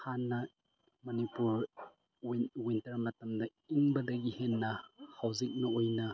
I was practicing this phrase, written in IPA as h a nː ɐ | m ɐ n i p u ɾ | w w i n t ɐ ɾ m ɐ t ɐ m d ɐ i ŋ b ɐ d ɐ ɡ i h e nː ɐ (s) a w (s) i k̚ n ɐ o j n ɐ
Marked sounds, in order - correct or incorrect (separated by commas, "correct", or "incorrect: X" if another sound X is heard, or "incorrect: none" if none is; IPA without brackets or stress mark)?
incorrect: h, incorrect: z